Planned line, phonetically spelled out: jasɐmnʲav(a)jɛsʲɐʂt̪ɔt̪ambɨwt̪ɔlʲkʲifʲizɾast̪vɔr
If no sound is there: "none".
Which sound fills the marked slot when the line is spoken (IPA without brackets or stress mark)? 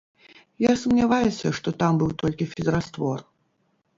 a